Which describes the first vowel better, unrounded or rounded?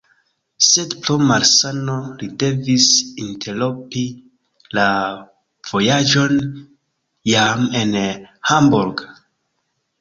unrounded